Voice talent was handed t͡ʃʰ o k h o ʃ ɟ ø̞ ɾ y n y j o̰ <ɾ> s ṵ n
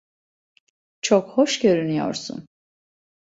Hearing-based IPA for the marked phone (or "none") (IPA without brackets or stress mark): ɾ